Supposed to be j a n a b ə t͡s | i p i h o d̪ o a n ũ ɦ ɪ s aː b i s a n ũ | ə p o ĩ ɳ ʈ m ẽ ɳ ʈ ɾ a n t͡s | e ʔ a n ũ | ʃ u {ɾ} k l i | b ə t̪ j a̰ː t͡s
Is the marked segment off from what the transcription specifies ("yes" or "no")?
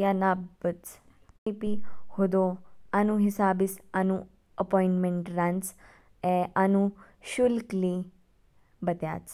yes